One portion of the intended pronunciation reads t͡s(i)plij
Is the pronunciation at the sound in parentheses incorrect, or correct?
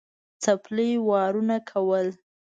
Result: incorrect